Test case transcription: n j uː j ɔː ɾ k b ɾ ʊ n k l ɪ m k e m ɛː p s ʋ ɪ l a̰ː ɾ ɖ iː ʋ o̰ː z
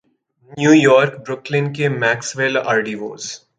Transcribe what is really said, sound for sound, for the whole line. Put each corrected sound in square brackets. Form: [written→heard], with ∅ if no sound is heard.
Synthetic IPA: n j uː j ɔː ɾ k b ɾ ʊ [n→∅] k l ɪ [m→n] k e m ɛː [p→k] s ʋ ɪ l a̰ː ɾ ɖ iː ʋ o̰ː z